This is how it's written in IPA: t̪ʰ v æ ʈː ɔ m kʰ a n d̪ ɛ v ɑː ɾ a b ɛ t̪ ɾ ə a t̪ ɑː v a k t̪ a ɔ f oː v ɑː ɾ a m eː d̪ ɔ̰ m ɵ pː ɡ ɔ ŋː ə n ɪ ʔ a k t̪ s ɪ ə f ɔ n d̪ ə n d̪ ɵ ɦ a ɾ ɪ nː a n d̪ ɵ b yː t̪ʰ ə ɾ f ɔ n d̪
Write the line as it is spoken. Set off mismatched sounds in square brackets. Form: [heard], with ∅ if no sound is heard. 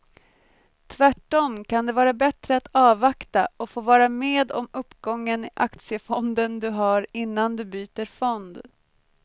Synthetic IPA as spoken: t̪ʰ v æ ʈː ɔ m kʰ a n d̪ ɛ v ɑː ɾ a b ɛ t̪ ɾ ə a t̪ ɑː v a k t̪ a ɔ f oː v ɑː ɾ a m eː d̪ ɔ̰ m ɵ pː ɡ ɔ ŋː ə n ɪ ʔ a k t̪ s ɪ ə f ɔ n d̪ ə n d̪ ɵ ɦ a ɾ ɪ nː a n d̪ ɵ b yː [t̪] ə ɾ f ɔ n d̪